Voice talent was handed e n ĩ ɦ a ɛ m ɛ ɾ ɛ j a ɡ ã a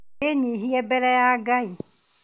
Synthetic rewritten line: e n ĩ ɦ i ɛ b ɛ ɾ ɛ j a ɡ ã i